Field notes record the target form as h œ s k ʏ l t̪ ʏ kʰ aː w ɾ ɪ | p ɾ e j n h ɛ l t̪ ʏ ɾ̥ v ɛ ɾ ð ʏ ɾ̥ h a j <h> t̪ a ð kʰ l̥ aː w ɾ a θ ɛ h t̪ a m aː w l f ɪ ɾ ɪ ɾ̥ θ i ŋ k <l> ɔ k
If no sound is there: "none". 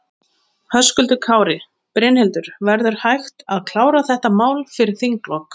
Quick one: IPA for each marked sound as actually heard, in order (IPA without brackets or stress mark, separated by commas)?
x, l